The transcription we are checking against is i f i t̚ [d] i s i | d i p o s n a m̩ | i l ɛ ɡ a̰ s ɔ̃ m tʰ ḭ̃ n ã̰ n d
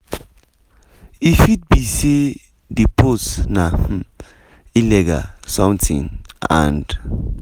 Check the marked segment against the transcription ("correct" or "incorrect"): incorrect